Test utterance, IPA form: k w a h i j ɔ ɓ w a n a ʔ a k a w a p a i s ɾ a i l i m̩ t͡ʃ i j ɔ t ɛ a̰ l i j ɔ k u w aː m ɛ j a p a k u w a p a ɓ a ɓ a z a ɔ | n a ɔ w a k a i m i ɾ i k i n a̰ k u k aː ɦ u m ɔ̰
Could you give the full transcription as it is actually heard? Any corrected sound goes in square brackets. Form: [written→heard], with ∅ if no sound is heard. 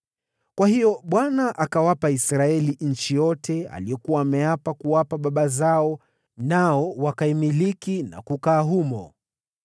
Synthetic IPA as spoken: k w a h i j ɔ ɓ w a n a ʔ a k a w a p a i s ɾ a [i→ɛ] l i [m̩→ɲ̩] t͡ʃ i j ɔ t ɛ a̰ l i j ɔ k u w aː m ɛ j a p a k u w a p a ɓ a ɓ a z a ɔ | n a ɔ w a k a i m i [ɾ→l] i k i n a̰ k u k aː ɦ u m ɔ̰